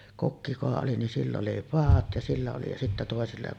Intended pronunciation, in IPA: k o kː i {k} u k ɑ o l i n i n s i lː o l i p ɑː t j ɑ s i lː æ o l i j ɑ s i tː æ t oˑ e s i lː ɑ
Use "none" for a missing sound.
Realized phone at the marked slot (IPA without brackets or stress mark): k